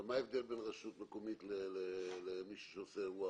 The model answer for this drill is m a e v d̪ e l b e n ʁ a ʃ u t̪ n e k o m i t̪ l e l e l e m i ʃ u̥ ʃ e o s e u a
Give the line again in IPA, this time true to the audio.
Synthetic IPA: m a e v d̪ e l b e n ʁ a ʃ u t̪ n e k o m i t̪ l e l e l e m i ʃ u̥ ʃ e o s e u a

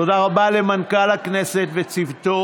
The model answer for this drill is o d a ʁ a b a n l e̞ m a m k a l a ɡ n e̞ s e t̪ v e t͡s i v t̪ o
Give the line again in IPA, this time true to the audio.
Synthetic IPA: o d a ʁ a b a l e̞ m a n k a l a k n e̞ s e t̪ v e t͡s i v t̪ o

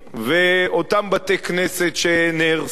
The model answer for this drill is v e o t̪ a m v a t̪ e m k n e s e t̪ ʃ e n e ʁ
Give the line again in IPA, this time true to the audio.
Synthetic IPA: v e o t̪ a m b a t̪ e k n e s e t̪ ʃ e n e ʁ

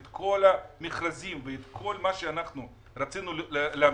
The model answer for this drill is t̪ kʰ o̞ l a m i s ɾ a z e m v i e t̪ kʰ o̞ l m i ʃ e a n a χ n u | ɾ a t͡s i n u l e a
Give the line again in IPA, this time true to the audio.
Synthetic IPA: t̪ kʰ o̞ l a m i χ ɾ a z i m v e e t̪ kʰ o̞ l m a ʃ e a n a χ n u | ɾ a t͡s i n u l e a

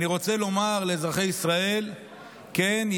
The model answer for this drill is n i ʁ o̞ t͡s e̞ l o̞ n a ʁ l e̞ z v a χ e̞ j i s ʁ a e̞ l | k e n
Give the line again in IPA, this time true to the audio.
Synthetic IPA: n i ʁ o̞ t͡s e̞ l o̞ m a ʁ l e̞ z ʁ a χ e̞ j i s ʁ a e̞ l | k e n

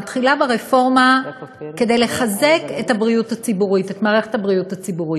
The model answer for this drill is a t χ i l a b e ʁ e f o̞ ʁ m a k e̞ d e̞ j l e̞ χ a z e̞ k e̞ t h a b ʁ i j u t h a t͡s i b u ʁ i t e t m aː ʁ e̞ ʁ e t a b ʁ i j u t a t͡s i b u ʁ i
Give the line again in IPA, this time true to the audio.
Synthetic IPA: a t χ i l a b e ʁ e f o̞ ʁ m a k e̞ d e̞ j l e̞ χ a z e̞ k e̞ t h a b ʁ i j u t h a t͡s i b u ʁ i t e t m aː ʁ e̞ χ e t a b ʁ i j u t a t͡s i b u ʁ i

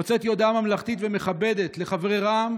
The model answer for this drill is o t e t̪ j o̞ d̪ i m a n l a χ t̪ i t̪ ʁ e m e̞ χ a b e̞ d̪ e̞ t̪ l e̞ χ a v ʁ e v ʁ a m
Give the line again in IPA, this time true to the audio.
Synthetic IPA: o t͡s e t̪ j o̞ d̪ a m a m l a χ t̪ i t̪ v e m e̞ χ a b e̞ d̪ e̞ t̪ l e̞ χ a v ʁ e ʁ a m

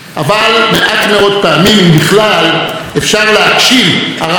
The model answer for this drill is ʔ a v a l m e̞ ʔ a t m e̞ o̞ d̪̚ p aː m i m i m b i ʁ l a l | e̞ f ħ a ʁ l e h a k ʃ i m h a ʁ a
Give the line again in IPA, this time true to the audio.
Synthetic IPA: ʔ a v a l m e̞ ʔ a t m e̞ o̞ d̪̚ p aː m i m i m b i χ l a l | e̞ f ʃ a ʁ l e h a k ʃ i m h a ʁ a

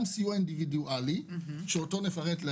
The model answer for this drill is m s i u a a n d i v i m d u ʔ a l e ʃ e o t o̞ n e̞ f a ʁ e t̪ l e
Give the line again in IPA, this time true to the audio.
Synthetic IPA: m s i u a i n d i v i d u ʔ a l i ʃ e o t o̞ n e̞ f a ʁ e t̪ l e

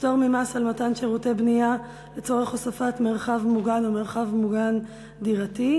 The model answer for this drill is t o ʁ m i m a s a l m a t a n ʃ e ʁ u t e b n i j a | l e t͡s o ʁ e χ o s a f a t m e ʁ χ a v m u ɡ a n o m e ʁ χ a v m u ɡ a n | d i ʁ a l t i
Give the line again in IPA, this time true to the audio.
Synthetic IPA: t o ʁ m i m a s a l m a t a n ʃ e ʁ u t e b n i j a | l e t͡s o ʁ e χ o s a f a t m e ʁ χ a v m u ɡ a n o m e ʁ χ a v m u ɡ a n | d i ʁ a t i

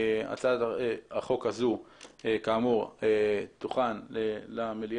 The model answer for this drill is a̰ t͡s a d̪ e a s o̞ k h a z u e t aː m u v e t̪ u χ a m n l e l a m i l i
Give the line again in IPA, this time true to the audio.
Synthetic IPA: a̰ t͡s a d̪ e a χ o̞ k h a z u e k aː m u ʁ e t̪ u χ a n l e l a m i l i

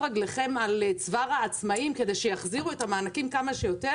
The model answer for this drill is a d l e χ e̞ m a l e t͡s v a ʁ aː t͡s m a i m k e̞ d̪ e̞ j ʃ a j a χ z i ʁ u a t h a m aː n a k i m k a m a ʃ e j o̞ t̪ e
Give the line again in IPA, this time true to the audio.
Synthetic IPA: a ɡ l e χ e̞ m a l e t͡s v a ʁ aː t͡s m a i m k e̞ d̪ e̞ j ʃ e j a χ z i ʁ u e t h a m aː n a k i m k a m a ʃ e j o̞ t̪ e

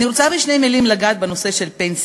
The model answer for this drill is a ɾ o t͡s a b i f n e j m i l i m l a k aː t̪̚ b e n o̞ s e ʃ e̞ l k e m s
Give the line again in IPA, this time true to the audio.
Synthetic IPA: i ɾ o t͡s a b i ʃ n e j m i l i m l a ɡ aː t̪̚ b e n o̞ s e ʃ e̞ l p e n s

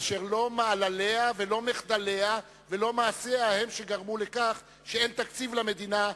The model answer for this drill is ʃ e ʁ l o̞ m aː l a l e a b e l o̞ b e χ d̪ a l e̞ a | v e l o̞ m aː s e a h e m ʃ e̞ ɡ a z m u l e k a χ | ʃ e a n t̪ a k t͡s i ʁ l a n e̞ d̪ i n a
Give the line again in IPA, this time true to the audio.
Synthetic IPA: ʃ e ʁ l o̞ m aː l a l e a v e l o̞ m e χ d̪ a l e̞ a | v e l o̞ m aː s e a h e m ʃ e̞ ɡ a ʁ m u l e k a χ | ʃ e e n t̪ a k t͡s i v l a m e̞ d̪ i n a

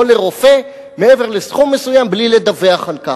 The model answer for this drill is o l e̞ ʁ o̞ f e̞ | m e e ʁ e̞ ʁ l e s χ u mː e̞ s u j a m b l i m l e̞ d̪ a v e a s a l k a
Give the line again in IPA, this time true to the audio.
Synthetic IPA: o l e̞ ʁ o̞ f e̞ | m e e v e̞ ʁ l e s χ u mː e̞ s u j a m b l i l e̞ d̪ a v e a χ a l k a

